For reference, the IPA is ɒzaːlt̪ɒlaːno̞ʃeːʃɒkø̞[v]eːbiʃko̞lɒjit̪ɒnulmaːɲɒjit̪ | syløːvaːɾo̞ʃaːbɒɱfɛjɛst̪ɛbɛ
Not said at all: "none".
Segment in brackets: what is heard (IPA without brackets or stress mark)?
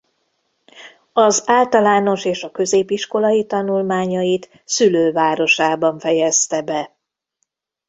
z